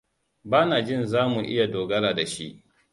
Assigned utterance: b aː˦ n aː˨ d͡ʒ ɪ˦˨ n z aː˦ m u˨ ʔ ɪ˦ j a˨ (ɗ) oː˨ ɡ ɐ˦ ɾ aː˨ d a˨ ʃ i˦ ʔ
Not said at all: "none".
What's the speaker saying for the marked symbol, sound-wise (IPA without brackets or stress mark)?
d